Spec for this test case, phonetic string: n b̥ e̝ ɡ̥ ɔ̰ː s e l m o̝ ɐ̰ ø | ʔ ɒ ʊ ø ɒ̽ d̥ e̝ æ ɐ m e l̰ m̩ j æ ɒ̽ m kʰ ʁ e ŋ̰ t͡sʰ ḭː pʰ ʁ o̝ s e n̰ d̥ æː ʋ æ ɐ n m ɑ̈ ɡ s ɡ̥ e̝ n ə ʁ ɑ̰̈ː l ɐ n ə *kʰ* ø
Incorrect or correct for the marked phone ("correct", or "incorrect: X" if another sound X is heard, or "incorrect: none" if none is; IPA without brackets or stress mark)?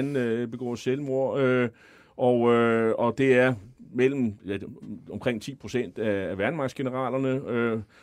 incorrect: none